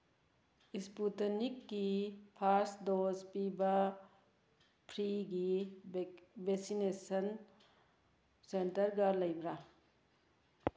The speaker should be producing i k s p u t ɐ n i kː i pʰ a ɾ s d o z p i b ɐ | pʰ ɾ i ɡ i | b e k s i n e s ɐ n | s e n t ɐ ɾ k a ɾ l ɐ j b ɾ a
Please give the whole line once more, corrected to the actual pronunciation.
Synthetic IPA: i s p u t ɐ n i kː i pʰ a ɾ s d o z p i b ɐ | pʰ ɾ i ɡ i | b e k s i n e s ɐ n | s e n t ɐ ɾ ɡ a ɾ l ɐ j b ɾ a